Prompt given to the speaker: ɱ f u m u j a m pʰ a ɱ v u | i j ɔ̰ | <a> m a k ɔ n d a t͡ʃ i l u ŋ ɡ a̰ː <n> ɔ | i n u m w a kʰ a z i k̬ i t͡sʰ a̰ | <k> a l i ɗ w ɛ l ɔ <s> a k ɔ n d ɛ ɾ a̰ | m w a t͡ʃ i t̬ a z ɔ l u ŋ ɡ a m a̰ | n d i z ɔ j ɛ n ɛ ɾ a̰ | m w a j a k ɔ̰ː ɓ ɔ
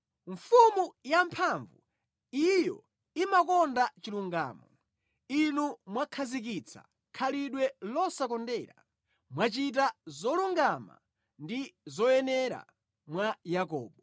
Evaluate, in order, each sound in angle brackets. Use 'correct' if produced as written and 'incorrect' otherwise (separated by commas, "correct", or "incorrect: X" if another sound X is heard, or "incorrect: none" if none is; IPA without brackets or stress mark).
incorrect: i, incorrect: m, incorrect: kʰ, correct